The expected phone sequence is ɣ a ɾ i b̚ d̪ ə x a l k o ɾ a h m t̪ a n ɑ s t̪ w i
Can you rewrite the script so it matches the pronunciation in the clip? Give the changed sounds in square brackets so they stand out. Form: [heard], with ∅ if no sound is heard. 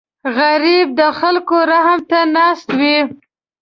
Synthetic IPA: ɣ a ɾ i b̚ d̪ ə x a l k o ɾ a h m t̪ a n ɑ s t̪ w i

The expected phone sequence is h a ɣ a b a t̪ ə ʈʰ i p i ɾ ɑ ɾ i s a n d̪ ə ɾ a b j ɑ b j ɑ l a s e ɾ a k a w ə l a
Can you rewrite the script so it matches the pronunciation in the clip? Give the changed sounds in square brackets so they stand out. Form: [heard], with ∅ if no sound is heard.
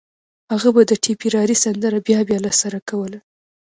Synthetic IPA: h a ɣ a b a [d̪] ə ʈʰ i p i ɾ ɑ ɾ i s a n d̪ ə ɾ a b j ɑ b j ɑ l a s [a] ɾ a k a w ə l a

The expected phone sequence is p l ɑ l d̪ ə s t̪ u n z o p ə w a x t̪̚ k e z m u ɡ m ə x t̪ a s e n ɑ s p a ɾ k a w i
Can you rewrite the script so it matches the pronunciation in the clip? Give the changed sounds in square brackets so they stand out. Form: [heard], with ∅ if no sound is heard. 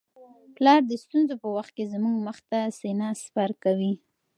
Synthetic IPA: p l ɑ [ɾ] d̪ ə s t̪ u n z o p ə w a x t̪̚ k e z m u ɡ m ə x t̪ a s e n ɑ s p a ɾ k a w i

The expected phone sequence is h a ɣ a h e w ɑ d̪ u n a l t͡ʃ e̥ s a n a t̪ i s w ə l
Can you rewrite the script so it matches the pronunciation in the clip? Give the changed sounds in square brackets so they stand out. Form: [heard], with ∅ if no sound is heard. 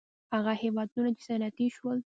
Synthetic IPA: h a ɣ a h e w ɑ d̪ u n a [∅] t͡ʃ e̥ s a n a t̪ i [ʃ] w ə l

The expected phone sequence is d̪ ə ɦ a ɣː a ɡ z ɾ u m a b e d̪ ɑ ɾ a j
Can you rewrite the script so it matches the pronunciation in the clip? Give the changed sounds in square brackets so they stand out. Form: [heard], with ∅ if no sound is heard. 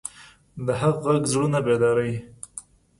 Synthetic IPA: d̪ ə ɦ a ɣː a ɡ z [ɽ] u [n] a b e d̪ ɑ ɾ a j

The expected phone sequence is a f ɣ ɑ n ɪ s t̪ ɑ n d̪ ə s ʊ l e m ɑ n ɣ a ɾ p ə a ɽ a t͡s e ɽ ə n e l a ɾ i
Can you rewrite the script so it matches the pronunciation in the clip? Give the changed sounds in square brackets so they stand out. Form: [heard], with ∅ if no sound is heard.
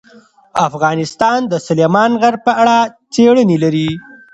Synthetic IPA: a f ɣ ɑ n ɪ s t̪ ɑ n d̪ ə s ʊ l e m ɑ n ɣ a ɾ p ə a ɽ a t͡s e ɽ ə n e l a ɾ i

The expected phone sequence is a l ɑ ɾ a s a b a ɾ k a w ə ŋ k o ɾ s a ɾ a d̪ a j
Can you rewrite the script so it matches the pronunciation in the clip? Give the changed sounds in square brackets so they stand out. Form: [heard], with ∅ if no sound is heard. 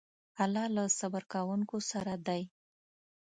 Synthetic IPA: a l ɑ [l] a s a b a ɾ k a w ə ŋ k o [∅] s a ɾ a d̪ a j

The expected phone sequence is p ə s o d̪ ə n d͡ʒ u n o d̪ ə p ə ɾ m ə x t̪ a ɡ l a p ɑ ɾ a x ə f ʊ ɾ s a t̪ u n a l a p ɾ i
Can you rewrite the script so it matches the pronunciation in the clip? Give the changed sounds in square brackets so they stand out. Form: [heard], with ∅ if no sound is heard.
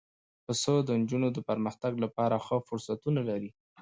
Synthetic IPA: p ə s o d̪ ə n d͡ʒ u n o d̪ ə p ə ɾ m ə x t̪ a ɡ l a p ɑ ɾ a x ə f ʊ ɾ s a t̪ u n a l a [∅] ɾ i

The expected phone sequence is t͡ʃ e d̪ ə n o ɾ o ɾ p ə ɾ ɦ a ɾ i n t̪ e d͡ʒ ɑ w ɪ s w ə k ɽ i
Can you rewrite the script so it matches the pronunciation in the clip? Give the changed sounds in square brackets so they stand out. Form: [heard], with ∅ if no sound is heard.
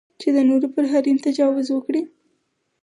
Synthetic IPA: t͡ʃ e d̪ ə n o ɾ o [∅] p ə ɾ ɦ a ɾ i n t̪ [a] d͡ʒ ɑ w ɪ [z] w ə k ɽ i

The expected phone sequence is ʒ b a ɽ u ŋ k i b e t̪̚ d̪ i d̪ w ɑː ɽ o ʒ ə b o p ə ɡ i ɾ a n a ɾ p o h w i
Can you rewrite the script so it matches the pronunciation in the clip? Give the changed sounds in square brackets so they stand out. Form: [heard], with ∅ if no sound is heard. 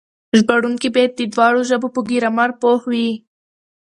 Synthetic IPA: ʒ b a ɽ u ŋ k i b e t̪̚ d̪ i d̪ w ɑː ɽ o ʒ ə b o p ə ɡ i ɾ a [m] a ɾ p o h w i

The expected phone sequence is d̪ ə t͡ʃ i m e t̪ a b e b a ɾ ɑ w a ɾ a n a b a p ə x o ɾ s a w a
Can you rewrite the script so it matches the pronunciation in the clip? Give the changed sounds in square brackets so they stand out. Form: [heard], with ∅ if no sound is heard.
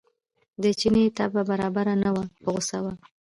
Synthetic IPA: d̪ ə t͡ʃ i [n] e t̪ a b [a] b a ɾ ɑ [b] a ɾ a n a [w] a p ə [ɣ] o [∅] s a w a

